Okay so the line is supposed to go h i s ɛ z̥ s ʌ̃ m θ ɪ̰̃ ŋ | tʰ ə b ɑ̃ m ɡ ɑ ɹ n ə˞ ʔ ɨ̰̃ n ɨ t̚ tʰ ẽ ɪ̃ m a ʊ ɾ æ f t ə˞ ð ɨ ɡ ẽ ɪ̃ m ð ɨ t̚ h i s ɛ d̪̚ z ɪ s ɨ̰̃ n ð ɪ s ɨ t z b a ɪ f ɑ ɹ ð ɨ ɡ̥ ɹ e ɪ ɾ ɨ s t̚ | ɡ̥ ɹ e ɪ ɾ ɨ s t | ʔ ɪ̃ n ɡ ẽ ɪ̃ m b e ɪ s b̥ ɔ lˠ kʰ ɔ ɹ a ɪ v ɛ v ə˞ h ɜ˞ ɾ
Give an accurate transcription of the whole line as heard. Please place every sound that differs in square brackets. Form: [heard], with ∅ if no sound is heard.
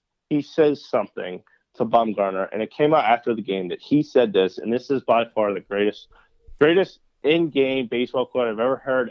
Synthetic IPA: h i s ɛ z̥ s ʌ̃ m θ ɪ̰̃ ŋ | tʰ ə b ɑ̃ m ɡ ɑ ɹ n ə˞ ʔ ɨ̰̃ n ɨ t̚ [kʰ] ẽ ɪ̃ m a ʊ ɾ æ f t ə˞ ð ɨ ɡ ẽ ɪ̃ m ð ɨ t̚ h i s ɛ d̪̚ [ð] ɪ s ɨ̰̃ n ð ɪ s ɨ [∅] z b a ɪ f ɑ ɹ ð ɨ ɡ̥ ɹ e ɪ ɾ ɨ s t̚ | ɡ̥ ɹ e ɪ ɾ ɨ s t | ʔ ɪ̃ n ɡ ẽ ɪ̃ m b e ɪ s b̥ ɔ lˠ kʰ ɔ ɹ a ɪ v ɛ v ə˞ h ɜ˞ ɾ